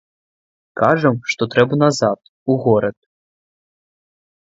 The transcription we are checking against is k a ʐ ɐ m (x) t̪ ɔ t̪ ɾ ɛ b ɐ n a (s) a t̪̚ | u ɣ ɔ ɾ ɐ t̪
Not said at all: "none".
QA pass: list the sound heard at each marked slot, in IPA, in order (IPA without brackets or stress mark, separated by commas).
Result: ʂ, z